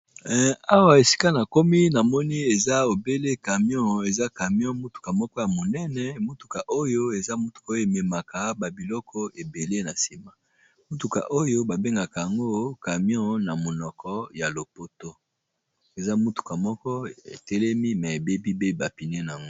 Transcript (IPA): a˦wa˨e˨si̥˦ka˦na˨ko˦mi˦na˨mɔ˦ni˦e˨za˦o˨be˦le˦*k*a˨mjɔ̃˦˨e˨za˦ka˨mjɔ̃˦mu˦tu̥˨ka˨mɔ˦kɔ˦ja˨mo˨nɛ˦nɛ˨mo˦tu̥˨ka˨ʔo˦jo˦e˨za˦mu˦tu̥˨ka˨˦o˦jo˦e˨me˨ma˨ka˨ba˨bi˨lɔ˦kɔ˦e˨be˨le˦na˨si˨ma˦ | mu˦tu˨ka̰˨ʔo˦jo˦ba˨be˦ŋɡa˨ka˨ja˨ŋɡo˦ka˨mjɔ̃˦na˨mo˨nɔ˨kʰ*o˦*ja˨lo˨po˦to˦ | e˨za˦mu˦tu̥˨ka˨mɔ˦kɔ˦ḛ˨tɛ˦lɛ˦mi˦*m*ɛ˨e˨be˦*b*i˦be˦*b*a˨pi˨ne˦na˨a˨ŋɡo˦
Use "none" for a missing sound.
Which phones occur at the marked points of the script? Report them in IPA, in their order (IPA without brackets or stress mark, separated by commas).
k, ɔ˦, m, b, b